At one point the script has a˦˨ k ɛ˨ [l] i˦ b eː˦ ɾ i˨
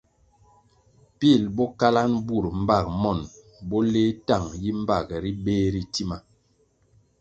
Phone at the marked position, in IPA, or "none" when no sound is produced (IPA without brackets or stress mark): ɾ